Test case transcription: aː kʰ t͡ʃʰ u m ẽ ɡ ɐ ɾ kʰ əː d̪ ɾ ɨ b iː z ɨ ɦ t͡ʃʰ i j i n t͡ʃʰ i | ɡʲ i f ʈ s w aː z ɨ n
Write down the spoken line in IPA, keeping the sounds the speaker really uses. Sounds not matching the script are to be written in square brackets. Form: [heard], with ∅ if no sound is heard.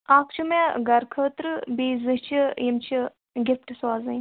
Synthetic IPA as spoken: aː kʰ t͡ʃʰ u m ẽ ɡ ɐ ɾ kʰ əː [t̪] ɾ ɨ b iː z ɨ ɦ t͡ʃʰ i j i [m] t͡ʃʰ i | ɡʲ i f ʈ s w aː z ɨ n